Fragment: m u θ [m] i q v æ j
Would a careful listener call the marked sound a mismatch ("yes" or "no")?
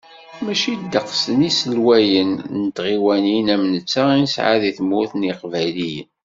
yes